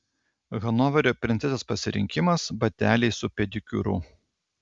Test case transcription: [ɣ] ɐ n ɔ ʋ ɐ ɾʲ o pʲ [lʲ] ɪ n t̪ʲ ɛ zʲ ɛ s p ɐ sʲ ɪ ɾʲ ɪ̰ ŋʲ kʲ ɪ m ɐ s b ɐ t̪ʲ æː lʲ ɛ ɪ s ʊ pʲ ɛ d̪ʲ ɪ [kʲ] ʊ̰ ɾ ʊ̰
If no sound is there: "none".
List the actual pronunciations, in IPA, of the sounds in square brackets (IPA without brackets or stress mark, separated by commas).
ɣ, ɾʲ, kʲ